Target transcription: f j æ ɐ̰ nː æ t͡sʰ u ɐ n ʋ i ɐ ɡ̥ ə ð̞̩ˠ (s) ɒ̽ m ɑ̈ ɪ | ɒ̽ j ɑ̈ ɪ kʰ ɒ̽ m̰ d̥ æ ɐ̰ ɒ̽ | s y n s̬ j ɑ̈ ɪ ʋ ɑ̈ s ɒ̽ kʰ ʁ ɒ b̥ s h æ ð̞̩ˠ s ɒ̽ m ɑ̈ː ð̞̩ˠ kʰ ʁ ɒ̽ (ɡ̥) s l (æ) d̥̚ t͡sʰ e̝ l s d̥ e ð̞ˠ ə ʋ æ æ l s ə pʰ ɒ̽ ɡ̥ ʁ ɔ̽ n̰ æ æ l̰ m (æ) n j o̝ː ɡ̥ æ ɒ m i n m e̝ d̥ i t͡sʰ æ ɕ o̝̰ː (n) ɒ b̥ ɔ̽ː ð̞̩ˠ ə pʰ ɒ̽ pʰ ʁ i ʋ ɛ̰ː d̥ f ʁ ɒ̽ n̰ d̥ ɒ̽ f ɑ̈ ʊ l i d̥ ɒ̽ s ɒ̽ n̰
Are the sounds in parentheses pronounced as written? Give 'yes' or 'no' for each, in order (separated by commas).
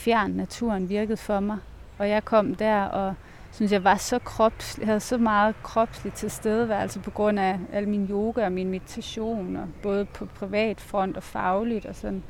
no, no, no, no, yes